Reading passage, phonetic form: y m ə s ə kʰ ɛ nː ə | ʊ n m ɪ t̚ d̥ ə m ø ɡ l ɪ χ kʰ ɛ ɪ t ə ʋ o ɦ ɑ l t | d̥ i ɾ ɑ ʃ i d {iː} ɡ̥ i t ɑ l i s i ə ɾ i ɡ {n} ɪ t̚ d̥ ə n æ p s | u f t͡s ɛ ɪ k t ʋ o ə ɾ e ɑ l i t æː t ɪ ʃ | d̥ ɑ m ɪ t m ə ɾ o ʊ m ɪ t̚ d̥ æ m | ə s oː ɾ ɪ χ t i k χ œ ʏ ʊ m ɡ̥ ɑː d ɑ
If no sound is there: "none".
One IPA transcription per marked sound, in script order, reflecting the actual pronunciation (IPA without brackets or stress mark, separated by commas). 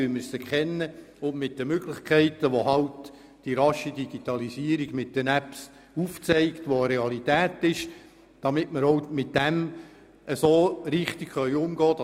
i, m